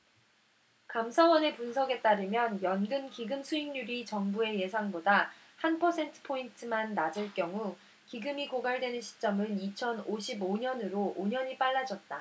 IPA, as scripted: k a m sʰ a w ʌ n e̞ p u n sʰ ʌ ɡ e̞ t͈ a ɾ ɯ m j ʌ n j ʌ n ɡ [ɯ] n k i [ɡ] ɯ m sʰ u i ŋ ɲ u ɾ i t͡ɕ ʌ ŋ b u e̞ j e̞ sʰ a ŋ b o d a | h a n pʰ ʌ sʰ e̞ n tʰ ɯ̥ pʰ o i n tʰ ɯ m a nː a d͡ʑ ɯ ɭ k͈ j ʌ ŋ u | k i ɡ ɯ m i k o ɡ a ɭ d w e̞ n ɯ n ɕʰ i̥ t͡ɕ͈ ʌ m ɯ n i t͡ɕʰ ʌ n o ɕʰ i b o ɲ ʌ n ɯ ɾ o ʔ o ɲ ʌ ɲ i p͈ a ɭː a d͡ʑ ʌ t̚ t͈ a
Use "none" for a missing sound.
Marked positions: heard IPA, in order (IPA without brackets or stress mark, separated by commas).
ɯ, ɡ